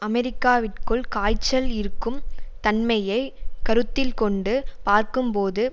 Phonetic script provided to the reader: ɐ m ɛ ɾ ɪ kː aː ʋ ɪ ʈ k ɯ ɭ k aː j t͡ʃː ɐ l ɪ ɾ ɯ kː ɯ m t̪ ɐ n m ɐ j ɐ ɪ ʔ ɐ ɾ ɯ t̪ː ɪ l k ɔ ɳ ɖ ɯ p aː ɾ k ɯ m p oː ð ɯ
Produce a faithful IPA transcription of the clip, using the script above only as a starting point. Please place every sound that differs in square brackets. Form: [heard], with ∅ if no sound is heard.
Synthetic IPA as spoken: ɐ m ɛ ɾ ɪ kː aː ʋ ɪ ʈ k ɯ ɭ k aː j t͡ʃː ɐ l ɪ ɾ ɯ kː ɯ m t̪ ɐ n m ɐ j ɐ ɪ [k] ɐ ɾ ɯ t̪ː ɪ l k ɔ ɳ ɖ ɯ p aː ɾ k ɯ m p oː ð ɯ